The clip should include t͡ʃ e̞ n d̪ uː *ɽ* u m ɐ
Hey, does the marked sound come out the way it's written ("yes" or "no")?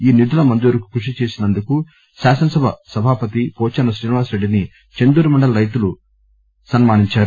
no